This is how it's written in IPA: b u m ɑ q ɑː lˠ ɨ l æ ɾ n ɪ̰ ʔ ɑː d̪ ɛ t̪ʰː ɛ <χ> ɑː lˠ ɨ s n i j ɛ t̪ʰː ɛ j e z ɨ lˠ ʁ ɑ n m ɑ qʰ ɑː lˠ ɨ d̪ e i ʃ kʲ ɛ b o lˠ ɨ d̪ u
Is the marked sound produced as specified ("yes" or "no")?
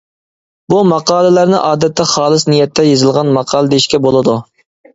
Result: yes